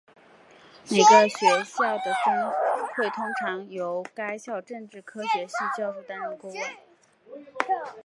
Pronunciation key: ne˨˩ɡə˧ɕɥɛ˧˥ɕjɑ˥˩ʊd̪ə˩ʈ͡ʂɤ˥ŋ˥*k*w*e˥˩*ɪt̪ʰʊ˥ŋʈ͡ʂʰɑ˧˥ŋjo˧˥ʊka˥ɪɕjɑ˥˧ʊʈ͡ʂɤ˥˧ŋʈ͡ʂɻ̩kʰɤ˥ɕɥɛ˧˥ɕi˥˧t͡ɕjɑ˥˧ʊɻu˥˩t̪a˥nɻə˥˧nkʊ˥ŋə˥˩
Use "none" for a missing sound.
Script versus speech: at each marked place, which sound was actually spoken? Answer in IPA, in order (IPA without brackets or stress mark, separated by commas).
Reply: x, e˥˩